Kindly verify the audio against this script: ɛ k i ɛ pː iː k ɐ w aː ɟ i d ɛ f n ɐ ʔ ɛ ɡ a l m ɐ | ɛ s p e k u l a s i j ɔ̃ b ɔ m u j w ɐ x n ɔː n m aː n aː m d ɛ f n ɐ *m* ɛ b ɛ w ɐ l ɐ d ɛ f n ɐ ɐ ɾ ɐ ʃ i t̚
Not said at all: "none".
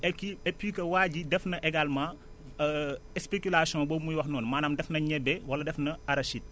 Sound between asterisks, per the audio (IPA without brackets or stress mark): ɲ